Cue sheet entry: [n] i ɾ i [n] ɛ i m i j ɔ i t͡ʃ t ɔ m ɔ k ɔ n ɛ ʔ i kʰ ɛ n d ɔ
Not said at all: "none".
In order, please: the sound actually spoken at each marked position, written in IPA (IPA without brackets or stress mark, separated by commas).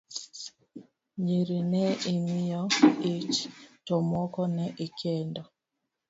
ɲ, n